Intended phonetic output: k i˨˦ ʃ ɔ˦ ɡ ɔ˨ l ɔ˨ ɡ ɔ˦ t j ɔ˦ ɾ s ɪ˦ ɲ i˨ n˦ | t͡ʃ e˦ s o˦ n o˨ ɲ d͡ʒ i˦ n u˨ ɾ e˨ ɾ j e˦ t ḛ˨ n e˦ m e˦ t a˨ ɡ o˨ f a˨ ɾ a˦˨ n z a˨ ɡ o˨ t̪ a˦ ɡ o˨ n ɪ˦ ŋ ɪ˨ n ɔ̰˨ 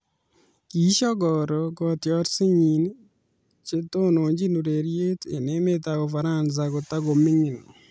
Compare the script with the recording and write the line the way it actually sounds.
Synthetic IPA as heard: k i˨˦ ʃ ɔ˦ ɡ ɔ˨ ɾ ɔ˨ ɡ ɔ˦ t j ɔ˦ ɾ s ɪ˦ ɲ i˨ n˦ | t͡ʃ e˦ t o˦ n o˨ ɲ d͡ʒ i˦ n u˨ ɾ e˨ ɾ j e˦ t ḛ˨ n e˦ m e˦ t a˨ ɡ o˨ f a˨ ɾ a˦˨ n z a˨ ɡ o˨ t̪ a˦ ɡ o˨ m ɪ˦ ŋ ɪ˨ n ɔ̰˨